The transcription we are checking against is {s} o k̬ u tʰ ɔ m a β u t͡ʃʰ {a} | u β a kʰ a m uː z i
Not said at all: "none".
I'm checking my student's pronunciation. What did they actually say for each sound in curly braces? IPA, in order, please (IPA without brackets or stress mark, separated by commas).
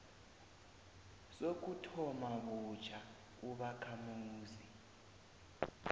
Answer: s, a